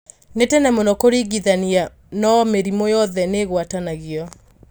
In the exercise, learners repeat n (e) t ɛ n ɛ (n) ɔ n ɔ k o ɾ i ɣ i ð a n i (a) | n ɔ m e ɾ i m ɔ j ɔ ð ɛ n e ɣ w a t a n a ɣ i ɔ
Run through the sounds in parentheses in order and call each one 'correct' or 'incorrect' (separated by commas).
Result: correct, incorrect, correct